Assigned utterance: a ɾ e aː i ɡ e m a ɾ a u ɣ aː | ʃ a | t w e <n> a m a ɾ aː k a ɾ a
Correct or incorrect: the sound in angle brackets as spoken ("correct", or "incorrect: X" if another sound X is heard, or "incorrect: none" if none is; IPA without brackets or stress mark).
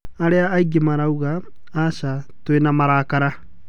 correct